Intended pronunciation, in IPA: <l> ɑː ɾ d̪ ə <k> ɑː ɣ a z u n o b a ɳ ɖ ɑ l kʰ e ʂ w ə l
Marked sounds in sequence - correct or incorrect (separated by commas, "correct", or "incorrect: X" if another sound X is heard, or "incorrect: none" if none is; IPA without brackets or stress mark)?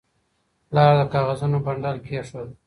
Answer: correct, correct